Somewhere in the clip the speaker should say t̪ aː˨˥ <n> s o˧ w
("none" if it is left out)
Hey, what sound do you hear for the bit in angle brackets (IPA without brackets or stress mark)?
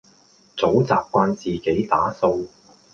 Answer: none